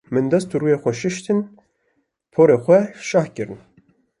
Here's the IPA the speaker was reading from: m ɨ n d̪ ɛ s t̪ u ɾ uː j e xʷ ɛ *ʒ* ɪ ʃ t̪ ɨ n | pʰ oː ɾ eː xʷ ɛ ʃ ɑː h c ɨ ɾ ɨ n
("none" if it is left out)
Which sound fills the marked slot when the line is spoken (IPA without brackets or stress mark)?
ʃ